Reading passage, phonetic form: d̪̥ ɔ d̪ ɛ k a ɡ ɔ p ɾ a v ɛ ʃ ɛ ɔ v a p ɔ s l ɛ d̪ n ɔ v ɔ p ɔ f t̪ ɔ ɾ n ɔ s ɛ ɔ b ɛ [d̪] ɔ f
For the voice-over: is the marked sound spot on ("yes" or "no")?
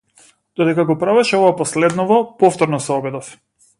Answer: yes